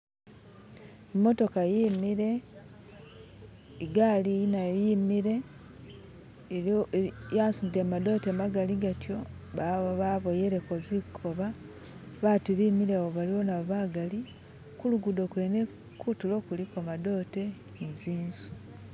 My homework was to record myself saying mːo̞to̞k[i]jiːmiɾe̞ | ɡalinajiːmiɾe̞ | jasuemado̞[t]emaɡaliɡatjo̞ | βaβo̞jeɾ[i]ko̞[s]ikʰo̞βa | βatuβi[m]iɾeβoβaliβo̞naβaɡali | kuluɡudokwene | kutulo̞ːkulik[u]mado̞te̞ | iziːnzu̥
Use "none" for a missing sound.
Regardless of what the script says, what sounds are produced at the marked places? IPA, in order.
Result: a, t, e, z, m, o

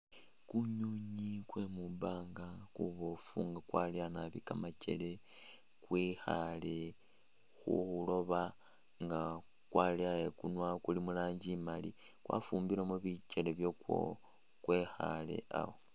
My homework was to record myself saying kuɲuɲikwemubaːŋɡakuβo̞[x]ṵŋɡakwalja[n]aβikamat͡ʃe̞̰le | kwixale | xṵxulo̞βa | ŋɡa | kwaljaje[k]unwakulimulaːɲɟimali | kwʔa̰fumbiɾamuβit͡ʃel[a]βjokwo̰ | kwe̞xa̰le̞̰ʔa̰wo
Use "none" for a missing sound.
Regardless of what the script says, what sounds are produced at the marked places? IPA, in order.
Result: f, n, k, e

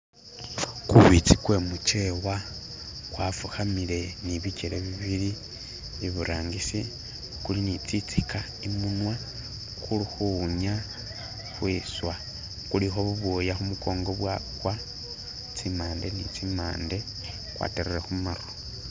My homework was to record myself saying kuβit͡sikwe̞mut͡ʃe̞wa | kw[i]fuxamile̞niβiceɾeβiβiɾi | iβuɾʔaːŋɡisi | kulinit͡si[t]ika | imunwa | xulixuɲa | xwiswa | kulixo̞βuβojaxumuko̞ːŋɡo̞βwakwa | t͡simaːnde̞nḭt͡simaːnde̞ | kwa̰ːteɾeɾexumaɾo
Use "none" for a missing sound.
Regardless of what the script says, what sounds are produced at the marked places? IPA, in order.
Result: a, t͡s

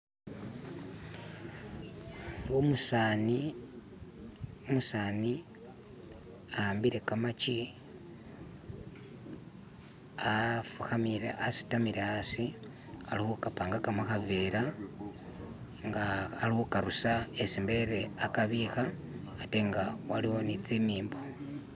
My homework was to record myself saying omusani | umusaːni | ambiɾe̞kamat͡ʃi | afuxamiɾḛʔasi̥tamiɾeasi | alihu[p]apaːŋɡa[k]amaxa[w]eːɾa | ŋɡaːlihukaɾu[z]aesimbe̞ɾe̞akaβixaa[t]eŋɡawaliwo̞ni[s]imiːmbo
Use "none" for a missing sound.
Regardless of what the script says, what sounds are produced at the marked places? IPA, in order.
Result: k, k, v, s, t, t͡s

